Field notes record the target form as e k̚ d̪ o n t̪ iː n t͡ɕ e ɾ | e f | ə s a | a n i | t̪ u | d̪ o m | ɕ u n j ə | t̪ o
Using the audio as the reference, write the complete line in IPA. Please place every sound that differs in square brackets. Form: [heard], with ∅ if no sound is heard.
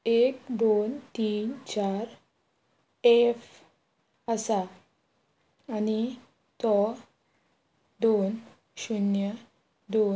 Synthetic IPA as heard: e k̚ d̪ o n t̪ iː n t͡ɕ [a] ɾ | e f | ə s a | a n i | t̪ [ɔ] | d̪ o [n] | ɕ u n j ə | [d̪] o